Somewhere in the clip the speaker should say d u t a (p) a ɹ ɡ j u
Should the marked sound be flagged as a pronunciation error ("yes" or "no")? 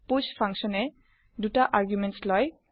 yes